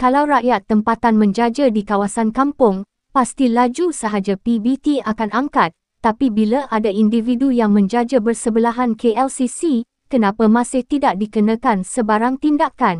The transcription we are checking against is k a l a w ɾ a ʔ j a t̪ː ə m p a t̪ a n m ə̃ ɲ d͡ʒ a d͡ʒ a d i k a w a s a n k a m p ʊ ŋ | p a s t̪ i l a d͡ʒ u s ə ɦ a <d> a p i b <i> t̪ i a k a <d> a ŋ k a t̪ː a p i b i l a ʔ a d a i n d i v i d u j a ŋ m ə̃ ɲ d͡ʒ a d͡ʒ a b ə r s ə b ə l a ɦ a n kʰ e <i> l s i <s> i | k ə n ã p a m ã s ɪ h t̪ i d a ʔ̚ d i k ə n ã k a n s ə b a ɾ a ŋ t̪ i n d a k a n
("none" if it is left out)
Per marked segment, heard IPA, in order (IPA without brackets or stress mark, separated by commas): d͡ʒ, i, n, ɛ, s